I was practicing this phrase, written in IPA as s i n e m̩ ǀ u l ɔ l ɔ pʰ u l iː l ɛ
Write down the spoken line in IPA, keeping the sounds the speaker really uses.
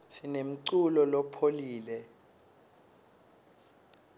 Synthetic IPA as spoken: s i n e m̩ ǀ u l ɔ l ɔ pʰ o l iː l ɛ

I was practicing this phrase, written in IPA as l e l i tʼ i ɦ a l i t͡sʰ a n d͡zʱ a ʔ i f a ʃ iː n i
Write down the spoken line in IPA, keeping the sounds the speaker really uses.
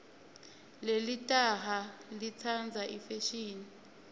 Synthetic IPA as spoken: l e l i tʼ a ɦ a l i t͡sʰ a n d͡zʱ a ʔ i f e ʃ iː n i

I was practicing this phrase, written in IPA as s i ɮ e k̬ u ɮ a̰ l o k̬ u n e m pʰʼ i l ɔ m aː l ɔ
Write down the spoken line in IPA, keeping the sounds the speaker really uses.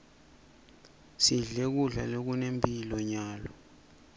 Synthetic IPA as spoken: s i ɮ e k̬ u ɮ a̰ l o k̬ u n e m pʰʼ i l ɔ ɲ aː l ɔ

